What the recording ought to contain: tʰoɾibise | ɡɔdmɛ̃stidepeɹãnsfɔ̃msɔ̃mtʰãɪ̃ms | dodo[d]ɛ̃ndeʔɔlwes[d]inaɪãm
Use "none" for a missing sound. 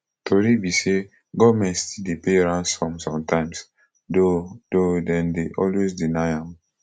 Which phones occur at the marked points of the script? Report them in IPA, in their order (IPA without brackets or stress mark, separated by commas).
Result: d, d